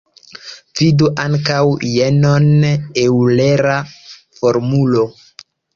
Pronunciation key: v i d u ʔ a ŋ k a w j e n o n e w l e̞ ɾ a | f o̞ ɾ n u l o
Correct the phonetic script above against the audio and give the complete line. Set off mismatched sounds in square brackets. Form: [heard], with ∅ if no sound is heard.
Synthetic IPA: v i d u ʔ a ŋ k a w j e n o n e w l e̞ ɾ a | f o̞ ɾ [m] u l o